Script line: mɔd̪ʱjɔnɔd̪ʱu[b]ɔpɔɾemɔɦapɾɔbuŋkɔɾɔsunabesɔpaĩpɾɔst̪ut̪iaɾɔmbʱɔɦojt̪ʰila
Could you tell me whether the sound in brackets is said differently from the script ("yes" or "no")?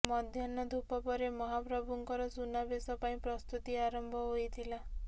yes